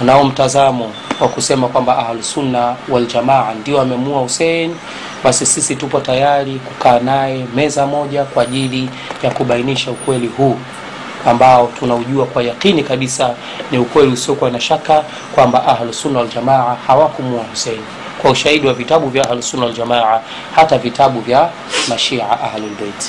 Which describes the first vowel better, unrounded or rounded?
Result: unrounded